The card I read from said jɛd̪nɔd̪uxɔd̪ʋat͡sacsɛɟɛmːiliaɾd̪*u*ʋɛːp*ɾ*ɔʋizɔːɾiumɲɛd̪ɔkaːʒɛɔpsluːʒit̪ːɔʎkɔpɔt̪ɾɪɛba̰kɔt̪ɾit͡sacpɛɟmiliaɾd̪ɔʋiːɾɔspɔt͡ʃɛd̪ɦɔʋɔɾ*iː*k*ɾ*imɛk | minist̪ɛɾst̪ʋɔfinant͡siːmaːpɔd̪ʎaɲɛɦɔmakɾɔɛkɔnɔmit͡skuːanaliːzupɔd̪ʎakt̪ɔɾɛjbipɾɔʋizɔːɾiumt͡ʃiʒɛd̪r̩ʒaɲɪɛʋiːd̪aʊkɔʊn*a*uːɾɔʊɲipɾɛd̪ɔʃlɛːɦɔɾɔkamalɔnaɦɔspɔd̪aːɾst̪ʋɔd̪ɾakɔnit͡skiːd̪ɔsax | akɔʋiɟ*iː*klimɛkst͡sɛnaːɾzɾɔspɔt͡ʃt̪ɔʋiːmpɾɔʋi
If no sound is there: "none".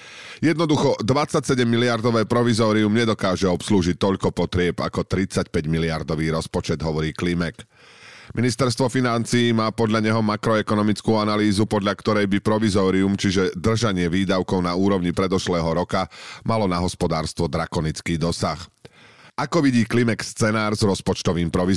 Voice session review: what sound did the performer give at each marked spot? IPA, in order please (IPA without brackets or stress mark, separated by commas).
ɔ, ɾ, iː, l, a, iː